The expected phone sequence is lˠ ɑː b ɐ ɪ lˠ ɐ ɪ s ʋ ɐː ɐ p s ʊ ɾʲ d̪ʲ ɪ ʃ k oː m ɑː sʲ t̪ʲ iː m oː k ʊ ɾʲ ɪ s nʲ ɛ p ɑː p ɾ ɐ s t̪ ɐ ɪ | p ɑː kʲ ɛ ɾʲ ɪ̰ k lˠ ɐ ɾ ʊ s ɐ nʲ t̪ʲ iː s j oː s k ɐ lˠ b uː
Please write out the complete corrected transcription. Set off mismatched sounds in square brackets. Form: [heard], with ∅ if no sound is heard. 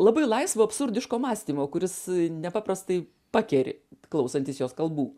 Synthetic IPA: lˠ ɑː b ɐ ɪ lˠ ɐ ɪ s ʋ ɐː ɐ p s ʊ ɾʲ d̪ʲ ɪ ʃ k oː m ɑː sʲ t̪ʲ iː m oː k ʊ ɾʲ ɪ s nʲ ɛ p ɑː p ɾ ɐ s t̪ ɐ ɪ | p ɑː kʲ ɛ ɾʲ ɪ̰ k lˠ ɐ [∅] ʊ s ɐ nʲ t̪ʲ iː s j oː s k ɐ lˠ b uː